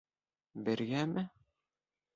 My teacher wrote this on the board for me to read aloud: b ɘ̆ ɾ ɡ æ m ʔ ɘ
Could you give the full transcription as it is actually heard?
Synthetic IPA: b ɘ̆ ɾ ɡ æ m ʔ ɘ